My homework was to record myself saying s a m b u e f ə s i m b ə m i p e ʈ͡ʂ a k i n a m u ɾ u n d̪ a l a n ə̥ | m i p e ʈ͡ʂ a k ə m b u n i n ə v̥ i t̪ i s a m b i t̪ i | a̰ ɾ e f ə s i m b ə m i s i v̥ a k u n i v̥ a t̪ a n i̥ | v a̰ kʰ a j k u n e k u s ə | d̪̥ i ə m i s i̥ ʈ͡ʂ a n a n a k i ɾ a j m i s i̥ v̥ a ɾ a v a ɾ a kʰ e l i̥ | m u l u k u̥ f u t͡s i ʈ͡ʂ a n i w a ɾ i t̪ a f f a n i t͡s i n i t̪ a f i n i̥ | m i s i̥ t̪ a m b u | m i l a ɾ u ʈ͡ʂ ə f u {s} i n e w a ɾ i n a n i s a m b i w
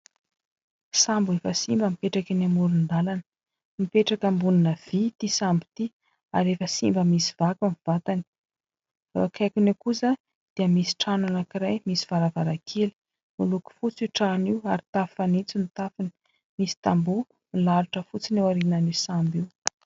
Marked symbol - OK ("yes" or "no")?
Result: no